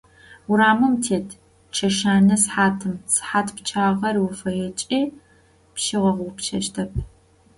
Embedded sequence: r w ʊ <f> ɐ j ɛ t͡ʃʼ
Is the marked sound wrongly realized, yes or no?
no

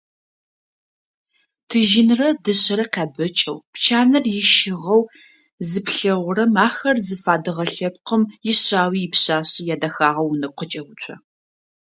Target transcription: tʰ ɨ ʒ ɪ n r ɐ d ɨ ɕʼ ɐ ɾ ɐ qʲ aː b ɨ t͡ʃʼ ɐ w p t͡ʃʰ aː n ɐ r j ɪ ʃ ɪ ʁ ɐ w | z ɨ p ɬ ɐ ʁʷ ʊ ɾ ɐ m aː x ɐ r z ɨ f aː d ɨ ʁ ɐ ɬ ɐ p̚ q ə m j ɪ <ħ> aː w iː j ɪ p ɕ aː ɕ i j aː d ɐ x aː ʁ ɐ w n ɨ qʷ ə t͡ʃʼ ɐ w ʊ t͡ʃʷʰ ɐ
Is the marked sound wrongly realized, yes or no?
yes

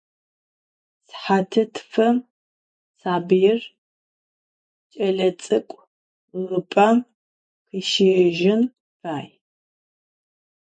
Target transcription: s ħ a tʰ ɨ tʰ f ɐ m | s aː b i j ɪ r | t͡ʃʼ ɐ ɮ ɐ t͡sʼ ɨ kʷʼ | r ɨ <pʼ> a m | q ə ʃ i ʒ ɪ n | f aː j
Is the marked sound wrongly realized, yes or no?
no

